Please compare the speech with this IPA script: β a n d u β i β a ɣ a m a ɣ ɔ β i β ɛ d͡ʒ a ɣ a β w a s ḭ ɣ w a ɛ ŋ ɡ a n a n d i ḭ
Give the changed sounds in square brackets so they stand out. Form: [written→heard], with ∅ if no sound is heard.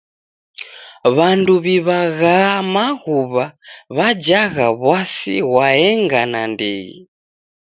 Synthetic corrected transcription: β a n d u β i β a ɣ a m a ɣ [ɔ→u] β [i→a] β [ɛ→a] d͡ʒ a ɣ a β w a s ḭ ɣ w a ɛ ŋ ɡ a n a n d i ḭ